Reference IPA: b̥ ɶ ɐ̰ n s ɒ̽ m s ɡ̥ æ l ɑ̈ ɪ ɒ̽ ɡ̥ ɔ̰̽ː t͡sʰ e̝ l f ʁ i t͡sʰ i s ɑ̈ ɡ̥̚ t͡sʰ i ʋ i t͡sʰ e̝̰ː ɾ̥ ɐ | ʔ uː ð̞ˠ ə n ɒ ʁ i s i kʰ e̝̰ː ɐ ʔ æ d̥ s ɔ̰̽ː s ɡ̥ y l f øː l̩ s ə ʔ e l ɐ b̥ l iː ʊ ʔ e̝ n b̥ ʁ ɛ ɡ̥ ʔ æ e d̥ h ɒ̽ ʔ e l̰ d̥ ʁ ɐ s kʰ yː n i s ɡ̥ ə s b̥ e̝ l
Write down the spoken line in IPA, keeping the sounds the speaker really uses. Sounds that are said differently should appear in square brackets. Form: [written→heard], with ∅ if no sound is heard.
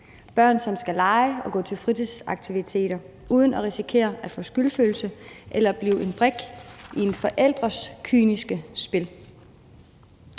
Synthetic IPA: b̥ ɶ ɐ̰ n s ɒ̽ m s ɡ̥ æ l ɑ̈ ɪ ɒ̽ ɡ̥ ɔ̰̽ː t͡sʰ e̝ l f ʁ i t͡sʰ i s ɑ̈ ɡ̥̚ t͡sʰ i ʋ i t͡sʰ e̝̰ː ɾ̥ ɐ | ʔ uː ð̞ˠ ə n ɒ ʁ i s i kʰ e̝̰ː ɐ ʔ æ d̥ [s→f] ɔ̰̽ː s ɡ̥ y l f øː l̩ s ə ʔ e l ɐ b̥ l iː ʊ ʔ e̝ n b̥ ʁ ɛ ɡ̥ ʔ [æ→i] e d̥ [h→f] ɒ̽ ʔ e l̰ d̥ ʁ ɐ s kʰ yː n i s ɡ̥ ə s b̥ e̝ l